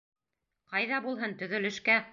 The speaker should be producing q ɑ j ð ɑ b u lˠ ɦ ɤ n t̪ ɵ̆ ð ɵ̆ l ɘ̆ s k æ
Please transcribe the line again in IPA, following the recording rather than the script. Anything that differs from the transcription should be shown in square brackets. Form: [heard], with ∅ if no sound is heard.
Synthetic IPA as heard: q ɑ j ð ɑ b u lˠ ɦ ɤ n t̪ ɵ̆ ð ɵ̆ l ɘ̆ [ʃ] k æ